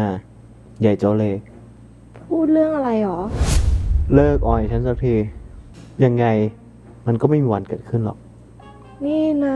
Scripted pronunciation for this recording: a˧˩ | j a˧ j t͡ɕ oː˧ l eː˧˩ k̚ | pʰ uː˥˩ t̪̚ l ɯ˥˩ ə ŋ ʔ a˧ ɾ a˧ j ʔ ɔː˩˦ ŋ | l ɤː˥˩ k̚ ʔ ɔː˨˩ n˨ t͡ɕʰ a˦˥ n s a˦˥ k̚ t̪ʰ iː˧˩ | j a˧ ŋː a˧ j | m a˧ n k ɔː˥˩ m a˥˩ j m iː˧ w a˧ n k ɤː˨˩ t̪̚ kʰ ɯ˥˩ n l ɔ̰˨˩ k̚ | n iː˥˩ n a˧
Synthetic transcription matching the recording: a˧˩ | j a˨˩ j t͡ɕ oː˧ l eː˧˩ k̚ | pʰ uː˥˩ t̪̚ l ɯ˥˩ ə ŋ ʔ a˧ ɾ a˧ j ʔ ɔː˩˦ | l ɤː˥˩ k̚ ʔ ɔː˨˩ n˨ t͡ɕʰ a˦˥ n s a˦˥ k̚ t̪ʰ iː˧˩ | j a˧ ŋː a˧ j | m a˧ n k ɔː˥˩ m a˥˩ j m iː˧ w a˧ n k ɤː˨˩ t̪̚ kʰ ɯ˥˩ n l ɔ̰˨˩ k̚ | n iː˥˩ n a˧